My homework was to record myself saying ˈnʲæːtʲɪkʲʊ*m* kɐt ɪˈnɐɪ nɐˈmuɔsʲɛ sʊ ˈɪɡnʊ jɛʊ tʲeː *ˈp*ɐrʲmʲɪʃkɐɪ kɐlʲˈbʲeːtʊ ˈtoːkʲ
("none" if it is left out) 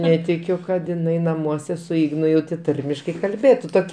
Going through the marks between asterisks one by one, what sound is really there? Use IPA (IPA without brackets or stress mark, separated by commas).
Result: none, t